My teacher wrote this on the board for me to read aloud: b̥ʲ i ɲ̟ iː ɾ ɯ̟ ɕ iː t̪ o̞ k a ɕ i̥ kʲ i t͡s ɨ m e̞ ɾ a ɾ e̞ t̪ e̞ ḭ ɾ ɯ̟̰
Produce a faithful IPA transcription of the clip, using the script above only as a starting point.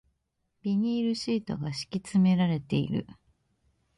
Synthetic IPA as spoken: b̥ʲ i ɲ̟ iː ɾ ɯ̟ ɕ iː t̪ o̞ ɡ a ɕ i̥ kʲ i t͡s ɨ m e̞ ɾ a ɾ e̞ t̪ e̞ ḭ ɾ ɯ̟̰